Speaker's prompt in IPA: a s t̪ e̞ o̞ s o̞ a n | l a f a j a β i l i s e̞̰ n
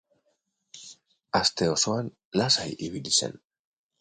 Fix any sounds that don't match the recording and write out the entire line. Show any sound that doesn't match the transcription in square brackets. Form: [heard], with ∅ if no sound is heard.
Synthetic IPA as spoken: a s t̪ e̞ o̞ s o̞ a n | l a [s] a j [i] β i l i s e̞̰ n